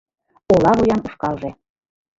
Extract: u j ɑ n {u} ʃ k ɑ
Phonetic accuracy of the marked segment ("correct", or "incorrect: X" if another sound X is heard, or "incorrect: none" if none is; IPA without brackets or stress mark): correct